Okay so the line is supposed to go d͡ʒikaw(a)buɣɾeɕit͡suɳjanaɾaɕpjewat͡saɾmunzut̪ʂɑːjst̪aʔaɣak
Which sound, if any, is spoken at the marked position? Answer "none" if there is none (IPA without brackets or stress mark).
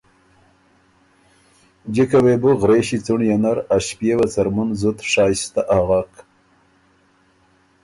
e